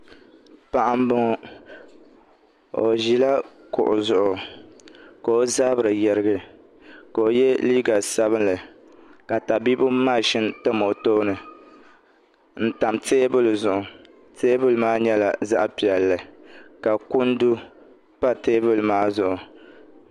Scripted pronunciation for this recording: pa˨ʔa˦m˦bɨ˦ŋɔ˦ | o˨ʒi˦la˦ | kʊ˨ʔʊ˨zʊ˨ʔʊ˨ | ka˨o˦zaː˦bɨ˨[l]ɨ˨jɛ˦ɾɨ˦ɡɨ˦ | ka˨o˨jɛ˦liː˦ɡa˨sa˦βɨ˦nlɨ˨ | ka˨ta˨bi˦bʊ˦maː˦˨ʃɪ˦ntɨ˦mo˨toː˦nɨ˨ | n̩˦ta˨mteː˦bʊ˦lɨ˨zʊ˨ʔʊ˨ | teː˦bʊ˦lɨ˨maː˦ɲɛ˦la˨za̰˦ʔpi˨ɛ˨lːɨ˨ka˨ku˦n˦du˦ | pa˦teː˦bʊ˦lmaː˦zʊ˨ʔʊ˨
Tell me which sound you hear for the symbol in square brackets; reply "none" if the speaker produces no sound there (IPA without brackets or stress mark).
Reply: ɾ